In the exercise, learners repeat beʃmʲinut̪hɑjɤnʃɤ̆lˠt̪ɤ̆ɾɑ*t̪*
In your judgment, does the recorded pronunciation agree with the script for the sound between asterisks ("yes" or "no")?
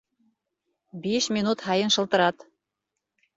yes